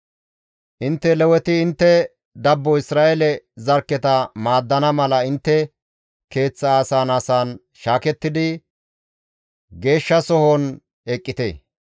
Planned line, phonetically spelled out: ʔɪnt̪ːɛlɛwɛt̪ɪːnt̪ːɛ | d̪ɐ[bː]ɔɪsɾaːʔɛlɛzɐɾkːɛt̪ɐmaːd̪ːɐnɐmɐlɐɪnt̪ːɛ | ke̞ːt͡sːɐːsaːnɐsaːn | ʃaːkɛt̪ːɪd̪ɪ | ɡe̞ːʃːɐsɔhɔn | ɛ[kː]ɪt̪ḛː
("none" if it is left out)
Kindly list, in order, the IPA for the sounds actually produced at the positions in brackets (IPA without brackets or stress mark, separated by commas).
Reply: bː, kʼː